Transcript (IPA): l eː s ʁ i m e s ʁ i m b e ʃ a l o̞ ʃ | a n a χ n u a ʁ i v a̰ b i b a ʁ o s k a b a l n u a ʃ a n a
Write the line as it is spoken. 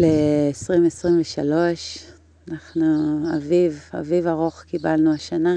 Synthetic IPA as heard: l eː s ʁ i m e s ʁ i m v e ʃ a l o̞ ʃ | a n a χ n u a v i v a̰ v i v a ʁ o χ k i b a l n u a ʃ a n a